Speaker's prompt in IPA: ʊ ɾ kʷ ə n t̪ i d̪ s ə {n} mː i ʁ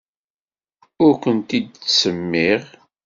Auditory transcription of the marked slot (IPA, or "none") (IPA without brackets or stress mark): none